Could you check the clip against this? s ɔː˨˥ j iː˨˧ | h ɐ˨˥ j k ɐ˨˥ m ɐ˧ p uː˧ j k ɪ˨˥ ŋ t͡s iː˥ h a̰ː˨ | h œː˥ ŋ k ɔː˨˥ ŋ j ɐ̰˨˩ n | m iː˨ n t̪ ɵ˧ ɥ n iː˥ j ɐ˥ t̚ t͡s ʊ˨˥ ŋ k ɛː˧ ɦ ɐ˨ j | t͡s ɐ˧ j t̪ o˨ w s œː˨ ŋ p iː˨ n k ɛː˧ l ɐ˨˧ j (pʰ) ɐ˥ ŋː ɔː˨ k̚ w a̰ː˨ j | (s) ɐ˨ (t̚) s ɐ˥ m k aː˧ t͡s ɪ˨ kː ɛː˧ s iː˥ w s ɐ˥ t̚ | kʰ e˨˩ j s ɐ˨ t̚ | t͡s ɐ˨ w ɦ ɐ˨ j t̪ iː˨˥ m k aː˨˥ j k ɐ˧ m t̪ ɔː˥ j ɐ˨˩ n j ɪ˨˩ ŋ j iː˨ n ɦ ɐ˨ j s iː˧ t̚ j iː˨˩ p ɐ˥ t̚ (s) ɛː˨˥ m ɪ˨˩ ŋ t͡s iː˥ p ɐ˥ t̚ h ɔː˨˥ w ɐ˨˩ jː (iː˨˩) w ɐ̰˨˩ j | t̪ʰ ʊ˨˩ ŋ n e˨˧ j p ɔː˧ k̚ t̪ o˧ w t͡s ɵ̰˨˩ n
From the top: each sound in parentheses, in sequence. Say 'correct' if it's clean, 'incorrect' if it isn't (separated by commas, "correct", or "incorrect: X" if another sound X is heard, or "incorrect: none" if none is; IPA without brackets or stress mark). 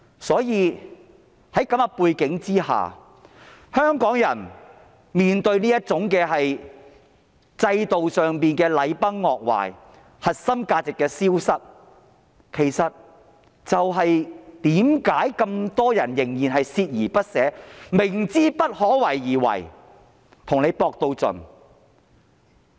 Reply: incorrect: p, incorrect: h, correct, correct, correct